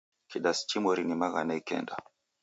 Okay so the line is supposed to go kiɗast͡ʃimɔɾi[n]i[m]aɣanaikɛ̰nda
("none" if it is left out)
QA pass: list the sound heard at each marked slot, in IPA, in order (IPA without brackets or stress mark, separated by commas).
n, m